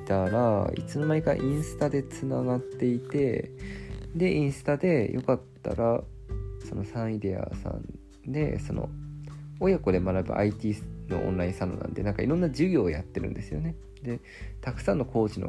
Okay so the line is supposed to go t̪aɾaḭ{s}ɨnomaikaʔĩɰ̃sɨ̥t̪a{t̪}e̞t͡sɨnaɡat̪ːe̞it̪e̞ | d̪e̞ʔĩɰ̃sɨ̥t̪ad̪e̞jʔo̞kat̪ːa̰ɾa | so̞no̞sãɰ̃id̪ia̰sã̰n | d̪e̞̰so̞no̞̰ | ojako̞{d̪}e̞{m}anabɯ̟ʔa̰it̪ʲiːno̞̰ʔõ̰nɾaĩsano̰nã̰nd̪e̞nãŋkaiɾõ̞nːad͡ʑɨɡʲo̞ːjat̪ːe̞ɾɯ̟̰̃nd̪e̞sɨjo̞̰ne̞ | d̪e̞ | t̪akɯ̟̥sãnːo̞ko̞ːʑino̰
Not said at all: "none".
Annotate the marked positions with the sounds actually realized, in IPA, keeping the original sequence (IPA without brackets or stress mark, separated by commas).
t͡s, d̪, d̪, m